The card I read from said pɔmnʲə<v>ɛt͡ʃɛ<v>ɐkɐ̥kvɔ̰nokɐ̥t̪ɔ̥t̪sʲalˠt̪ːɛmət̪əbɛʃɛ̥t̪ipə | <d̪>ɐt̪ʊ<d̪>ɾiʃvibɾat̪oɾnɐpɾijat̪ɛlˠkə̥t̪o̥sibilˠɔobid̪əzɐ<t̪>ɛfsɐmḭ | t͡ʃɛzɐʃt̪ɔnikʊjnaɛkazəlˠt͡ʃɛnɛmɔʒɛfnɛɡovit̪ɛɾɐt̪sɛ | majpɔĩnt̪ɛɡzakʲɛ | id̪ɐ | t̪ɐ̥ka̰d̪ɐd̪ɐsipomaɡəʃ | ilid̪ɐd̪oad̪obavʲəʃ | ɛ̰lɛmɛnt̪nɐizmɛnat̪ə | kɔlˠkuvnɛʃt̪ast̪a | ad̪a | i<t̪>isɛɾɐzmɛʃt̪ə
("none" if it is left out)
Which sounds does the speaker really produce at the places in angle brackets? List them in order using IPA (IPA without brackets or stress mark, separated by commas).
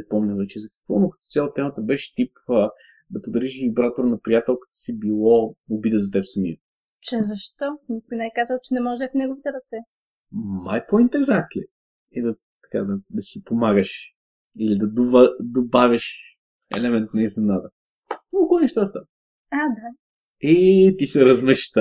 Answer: v, z, d̪, d̪, t̪, t̪